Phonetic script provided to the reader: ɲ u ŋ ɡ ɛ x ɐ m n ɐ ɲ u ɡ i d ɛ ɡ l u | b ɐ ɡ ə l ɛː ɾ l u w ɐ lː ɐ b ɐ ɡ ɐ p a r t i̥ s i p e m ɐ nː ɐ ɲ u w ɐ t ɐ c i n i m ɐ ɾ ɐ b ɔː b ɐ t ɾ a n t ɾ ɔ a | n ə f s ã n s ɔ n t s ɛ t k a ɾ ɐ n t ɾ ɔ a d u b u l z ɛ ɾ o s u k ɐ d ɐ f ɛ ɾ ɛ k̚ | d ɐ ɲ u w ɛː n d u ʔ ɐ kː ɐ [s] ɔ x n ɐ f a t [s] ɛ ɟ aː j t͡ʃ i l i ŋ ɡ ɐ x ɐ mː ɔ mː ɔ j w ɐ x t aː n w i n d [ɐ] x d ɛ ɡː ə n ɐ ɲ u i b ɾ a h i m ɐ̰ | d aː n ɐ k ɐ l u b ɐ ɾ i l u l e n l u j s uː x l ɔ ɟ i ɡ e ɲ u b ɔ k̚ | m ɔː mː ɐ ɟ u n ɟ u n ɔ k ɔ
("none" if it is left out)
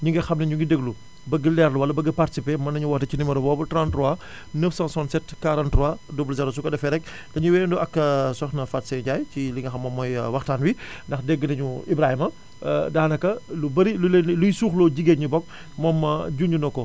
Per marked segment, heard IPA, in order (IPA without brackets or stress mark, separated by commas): s, s, ɐ